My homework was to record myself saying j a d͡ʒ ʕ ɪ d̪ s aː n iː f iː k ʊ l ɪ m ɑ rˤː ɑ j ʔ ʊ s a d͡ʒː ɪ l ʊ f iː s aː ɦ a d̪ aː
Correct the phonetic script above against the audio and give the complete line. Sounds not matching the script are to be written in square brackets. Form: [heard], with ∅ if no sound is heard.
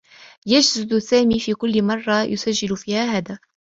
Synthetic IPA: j a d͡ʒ [z] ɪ d̪ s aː [m] iː f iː k ʊ [lː] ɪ m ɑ rˤː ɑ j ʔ ʊ s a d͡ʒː ɪ l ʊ f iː [h] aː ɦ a d̪ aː

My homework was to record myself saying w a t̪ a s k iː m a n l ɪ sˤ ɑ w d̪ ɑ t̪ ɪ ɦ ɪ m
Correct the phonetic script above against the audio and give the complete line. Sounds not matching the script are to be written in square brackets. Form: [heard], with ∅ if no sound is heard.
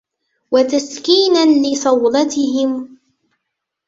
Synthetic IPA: w a t̪ a s k iː [n] a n l ɪ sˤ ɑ w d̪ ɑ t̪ ɪ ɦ ɪ m

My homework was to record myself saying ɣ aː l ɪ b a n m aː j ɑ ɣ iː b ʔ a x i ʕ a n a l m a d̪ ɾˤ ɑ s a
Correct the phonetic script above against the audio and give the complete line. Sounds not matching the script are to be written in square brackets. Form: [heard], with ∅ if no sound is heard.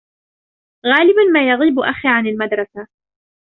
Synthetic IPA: ɣ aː l ɪ b a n m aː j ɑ ɣ iː b ʔ a x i ʕ a n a l m a d̪ ɾˤ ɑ s a

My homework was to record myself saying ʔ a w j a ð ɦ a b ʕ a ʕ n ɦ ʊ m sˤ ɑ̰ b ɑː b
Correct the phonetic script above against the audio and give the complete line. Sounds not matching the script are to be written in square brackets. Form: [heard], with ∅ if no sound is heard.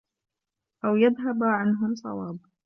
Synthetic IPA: ʔ a w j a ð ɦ a b ʕ a [∅] n ɦ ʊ m sˤ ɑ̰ [w] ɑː b

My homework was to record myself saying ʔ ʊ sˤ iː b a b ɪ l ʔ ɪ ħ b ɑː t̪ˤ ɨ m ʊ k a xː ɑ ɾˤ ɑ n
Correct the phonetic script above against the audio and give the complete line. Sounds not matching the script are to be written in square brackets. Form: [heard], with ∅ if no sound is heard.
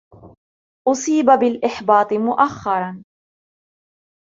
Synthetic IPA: ʔ ʊ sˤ iː b a b ɪ l ʔ ɪ ħ b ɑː t̪ˤ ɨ m ʊ [ʔ] a xː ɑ ɾˤ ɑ n

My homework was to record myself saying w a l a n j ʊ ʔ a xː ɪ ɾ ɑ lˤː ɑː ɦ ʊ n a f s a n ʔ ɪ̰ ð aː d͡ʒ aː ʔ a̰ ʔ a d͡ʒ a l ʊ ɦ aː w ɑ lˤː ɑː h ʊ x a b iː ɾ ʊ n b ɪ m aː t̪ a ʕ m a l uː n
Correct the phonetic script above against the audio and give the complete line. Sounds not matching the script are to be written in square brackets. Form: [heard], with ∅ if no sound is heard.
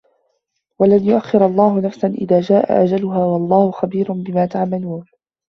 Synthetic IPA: w a l a n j ʊ ʔ a xː ɪ ɾ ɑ lˤː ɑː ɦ ʊ n a f s a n ʔ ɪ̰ ð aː d͡ʒ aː ʔ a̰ ʔ a d͡ʒ a l ʊ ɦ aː w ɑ lˤː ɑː h ʊ x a b iː ɾ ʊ n b ɪ m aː t̪ a ʕ m a l uː n

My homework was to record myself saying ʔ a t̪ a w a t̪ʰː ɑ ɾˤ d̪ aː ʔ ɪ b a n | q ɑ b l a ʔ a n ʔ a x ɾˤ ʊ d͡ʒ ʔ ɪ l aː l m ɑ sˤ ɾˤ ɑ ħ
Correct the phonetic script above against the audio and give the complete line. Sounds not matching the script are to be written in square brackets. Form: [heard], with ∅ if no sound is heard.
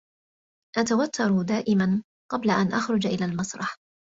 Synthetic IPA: ʔ a t̪ a w a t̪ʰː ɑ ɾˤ d̪ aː ʔ ɪ [m] a n | q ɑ b l a ʔ a n ʔ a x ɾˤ ʊ d͡ʒ ʔ ɪ l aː l m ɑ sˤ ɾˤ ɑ ħ

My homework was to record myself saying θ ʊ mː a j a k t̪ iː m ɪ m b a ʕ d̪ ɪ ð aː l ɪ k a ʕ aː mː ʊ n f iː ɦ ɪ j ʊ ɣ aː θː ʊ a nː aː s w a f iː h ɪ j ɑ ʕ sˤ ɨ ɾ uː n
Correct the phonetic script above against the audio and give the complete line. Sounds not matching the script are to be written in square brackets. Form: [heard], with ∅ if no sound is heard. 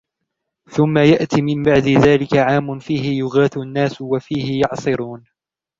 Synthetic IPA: θ ʊ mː a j a [ʔ] t̪ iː m ɪ m b a ʕ d̪ ɪ ð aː l ɪ k a ʕ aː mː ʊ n f iː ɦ ɪ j ʊ ɣ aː [θ] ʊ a nː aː s w a f iː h ɪ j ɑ ʕ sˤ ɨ ɾ uː n

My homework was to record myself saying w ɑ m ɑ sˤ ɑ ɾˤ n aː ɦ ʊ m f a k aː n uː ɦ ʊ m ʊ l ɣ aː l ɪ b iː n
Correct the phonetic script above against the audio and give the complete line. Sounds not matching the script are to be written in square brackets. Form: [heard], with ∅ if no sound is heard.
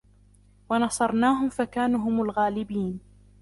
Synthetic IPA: w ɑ [n] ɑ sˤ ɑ ɾˤ n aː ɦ ʊ m f a k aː n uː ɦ ʊ m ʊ l ɣ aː l ɪ b iː n

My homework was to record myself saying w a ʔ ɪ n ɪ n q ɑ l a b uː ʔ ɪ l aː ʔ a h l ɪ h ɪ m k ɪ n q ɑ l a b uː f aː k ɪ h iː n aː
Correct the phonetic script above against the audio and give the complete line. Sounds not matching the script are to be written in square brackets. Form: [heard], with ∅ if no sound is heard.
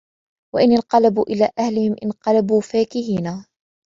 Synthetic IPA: w a ʔ ɪ n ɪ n q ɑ l a b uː ʔ ɪ l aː ʔ a h l ɪ h ɪ m [ʔ] ɪ n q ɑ l a b uː f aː k ɪ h iː n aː

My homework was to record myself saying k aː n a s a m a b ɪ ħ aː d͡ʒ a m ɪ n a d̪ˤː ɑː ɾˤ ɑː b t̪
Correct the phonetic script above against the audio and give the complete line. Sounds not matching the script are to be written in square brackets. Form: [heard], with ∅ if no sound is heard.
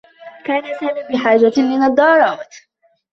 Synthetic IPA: k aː n a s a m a b ɪ ħ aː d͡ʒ a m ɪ n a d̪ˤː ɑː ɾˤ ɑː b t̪

